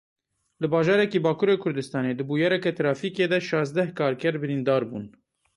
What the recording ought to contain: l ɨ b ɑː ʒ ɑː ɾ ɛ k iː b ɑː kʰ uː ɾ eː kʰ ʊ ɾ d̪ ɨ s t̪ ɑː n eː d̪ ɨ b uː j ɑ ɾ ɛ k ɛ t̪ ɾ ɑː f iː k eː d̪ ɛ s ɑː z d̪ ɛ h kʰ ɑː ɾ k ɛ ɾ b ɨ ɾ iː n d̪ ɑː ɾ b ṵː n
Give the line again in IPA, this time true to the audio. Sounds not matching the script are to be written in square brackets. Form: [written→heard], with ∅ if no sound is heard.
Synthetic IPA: l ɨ b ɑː ʒ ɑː ɾ ɛ k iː b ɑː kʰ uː ɾ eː kʰ ʊ ɾ d̪ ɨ s t̪ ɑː n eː d̪ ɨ b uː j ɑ ɾ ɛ k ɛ t̪ ɾ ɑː f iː k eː d̪ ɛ [s→ʃ] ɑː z d̪ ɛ h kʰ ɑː ɾ k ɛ ɾ b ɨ ɾ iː n d̪ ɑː ɾ b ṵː n